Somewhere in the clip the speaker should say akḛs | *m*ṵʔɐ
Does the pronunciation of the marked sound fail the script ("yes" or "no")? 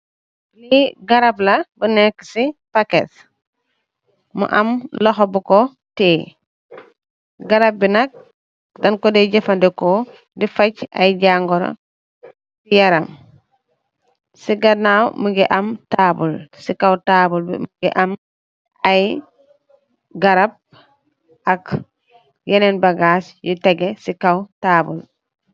no